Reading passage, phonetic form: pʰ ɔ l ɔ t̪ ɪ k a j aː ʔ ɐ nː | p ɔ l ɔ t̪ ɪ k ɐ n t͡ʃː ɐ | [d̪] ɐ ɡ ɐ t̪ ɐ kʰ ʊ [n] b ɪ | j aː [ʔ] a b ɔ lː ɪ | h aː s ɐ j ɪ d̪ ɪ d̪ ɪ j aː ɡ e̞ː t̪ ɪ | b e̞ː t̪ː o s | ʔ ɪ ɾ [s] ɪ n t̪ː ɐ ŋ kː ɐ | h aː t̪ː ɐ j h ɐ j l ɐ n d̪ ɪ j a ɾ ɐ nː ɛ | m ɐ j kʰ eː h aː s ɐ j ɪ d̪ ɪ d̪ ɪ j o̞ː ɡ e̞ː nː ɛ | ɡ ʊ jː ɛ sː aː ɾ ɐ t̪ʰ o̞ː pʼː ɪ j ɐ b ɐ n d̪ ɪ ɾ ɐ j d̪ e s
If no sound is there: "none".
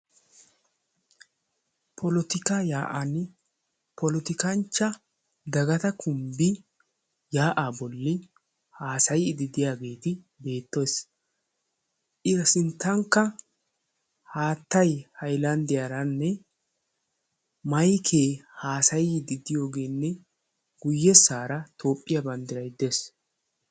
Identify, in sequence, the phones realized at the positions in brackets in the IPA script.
d̪, m, ʔ, s

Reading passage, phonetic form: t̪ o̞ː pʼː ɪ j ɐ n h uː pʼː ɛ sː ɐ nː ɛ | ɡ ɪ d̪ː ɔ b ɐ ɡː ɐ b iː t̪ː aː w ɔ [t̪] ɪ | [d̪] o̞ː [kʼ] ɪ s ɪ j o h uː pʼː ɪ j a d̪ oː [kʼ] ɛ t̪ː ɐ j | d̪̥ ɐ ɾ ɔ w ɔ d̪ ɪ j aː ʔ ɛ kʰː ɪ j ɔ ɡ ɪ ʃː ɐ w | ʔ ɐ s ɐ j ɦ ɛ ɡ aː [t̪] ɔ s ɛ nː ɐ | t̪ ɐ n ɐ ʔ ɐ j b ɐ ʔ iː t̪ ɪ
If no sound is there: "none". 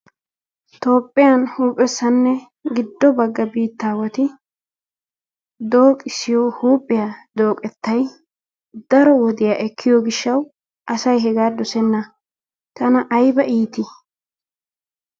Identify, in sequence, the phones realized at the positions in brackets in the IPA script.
t̪, d̪, kʼ, kʼ, d̪

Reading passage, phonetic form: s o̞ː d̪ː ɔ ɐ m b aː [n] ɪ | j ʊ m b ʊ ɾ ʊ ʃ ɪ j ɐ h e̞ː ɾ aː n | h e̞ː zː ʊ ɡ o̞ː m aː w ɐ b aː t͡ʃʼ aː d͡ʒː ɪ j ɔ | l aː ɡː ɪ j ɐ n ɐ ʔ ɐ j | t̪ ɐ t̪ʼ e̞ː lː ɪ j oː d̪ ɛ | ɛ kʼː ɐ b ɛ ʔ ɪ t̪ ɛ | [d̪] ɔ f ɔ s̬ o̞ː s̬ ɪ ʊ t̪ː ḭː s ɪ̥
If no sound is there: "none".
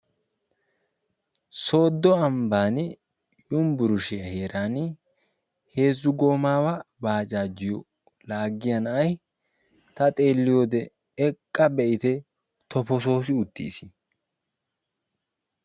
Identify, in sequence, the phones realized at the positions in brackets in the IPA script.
n, t̪

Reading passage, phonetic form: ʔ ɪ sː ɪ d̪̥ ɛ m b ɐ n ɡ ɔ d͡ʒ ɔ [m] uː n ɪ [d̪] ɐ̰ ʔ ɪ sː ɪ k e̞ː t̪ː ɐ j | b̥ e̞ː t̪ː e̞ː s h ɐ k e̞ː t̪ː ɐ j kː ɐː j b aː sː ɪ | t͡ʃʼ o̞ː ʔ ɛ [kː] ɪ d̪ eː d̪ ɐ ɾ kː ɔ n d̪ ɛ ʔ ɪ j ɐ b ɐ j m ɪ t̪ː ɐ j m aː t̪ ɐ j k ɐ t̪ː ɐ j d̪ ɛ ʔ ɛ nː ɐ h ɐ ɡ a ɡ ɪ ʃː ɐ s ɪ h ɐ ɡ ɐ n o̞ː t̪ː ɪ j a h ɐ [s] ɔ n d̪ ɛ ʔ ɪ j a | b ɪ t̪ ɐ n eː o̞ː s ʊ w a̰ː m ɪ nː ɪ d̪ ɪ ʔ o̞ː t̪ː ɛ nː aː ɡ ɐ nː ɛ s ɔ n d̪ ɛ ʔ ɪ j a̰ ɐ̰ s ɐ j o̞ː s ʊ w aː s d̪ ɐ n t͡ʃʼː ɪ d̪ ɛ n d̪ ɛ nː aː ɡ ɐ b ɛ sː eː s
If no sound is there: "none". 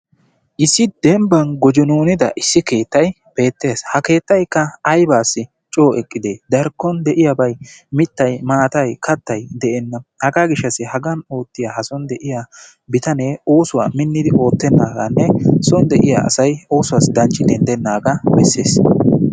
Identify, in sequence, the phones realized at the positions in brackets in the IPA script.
n, d̪, kʼː, s

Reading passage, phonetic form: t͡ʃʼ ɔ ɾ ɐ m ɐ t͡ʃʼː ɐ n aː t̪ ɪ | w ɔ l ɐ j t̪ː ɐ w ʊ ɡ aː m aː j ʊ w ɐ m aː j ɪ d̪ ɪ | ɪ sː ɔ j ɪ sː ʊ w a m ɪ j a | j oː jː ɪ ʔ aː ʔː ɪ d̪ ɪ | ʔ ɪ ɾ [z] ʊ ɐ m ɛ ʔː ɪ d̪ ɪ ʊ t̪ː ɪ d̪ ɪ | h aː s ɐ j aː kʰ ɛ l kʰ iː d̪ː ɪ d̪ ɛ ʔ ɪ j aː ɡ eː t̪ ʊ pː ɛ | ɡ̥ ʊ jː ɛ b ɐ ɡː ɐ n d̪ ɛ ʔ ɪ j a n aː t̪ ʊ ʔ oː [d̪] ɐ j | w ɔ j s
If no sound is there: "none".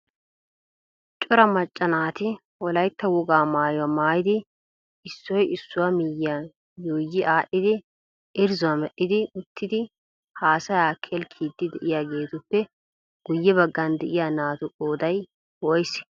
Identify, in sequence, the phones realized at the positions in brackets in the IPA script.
z, d̪

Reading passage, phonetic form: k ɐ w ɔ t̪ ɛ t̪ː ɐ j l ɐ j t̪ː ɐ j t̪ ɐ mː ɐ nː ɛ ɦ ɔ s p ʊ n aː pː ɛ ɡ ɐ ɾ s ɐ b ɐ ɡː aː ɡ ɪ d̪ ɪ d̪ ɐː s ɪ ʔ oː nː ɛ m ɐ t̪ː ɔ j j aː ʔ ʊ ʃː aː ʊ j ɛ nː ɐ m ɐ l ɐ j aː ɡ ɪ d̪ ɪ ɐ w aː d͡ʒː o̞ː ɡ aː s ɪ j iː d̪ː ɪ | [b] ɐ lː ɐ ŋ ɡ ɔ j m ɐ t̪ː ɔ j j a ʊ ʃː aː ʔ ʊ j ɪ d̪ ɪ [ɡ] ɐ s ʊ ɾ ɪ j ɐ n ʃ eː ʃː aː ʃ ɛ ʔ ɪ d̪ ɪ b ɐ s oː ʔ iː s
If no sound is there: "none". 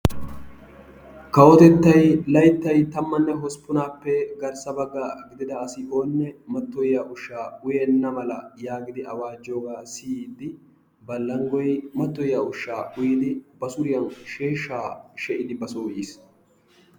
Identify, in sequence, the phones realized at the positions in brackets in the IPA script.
b, b

